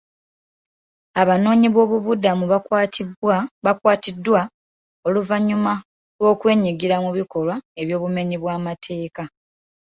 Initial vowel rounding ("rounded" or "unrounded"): unrounded